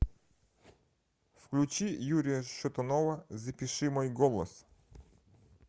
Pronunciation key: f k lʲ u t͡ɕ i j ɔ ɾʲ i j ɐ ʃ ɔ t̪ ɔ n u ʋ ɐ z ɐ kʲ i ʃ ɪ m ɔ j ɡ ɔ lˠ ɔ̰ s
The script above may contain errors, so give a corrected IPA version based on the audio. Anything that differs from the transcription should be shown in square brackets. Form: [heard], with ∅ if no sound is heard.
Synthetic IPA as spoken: f k lʲ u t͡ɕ i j [u] ɾʲ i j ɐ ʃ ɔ t̪ ɔ n [ɔ] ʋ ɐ z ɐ [pʲ] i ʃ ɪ m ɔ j ɡ ɔ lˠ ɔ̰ s

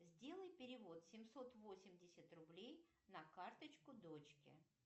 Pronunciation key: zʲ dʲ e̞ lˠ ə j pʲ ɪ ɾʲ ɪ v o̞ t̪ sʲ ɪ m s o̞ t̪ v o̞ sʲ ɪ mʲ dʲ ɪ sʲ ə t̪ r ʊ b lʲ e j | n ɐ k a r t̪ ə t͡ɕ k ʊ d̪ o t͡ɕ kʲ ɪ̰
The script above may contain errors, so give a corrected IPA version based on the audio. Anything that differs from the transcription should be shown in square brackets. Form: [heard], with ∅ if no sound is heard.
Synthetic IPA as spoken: zʲ dʲ e̞ lˠ ə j pʲ ɪ ɾʲ ɪ v o̞ t̪ sʲ ɪ m s o̞ t̪ v o̞ sʲ ɪ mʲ dʲ ɪ sʲ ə t̪ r ʊ b lʲ e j | n ɐ k a r t̪ ə t͡ɕ k ʊ d̪ o t͡ɕ kʲ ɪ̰

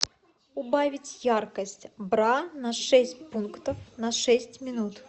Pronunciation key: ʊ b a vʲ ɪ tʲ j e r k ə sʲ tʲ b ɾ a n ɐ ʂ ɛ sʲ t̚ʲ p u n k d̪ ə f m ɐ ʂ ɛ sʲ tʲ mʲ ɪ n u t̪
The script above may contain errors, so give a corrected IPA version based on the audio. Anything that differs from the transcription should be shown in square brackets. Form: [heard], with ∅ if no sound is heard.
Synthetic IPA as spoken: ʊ b a vʲ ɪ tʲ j [a] r k ə sʲ tʲ b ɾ a n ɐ ʂ ɛ sʲ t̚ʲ p u n k [t̪] ə f [n] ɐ ʂ ɛ sʲ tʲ mʲ ɪ n u t̪

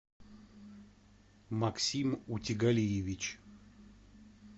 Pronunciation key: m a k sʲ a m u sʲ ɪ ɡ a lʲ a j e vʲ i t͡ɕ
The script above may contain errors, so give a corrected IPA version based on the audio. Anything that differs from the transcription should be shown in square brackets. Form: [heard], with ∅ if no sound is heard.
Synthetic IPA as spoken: m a k sʲ [i] m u [tʲ] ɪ ɡ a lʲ [i] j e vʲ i t͡ɕ

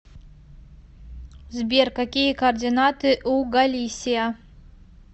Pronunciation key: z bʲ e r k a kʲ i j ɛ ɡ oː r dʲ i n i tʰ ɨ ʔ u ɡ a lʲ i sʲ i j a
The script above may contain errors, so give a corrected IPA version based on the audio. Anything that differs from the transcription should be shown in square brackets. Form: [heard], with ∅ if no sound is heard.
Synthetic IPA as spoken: z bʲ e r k a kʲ i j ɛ [k] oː r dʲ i n [a] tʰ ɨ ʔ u ɡ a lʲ i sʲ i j a

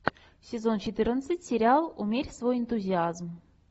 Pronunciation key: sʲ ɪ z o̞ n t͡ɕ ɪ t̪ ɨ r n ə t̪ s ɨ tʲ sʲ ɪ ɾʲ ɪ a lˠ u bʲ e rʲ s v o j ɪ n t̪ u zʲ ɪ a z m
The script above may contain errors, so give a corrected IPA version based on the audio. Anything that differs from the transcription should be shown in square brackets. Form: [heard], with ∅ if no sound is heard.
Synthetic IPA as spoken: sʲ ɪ z o̞ n t͡ɕ ɪ t̪ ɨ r n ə t̪ s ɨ tʲ sʲ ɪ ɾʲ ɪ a lˠ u [mʲ] e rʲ s v o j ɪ n t̪ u zʲ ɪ a z m

